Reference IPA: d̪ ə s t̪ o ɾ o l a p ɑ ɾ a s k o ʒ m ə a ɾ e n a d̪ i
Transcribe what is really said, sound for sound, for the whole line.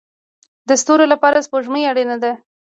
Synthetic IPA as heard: d̪ ə s t̪ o ɾ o l a p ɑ ɾ a s p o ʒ m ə a ɽ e n a d̪ a